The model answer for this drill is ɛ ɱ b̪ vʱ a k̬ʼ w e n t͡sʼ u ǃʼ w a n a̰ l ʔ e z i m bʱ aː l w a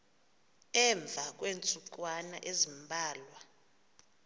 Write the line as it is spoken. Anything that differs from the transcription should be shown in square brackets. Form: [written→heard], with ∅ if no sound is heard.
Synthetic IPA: ɛ ɱ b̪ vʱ a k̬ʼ w e n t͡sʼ u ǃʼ w a n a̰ [l→∅] ʔ e z i m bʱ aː l w a